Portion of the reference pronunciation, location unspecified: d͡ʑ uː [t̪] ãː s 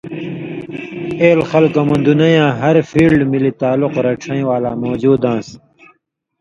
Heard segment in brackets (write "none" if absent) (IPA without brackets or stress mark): d̪